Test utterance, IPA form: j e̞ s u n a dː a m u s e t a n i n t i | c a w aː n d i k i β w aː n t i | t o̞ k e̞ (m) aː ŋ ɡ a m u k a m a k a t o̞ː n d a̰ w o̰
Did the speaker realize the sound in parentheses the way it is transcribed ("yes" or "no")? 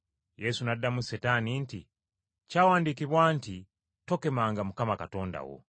yes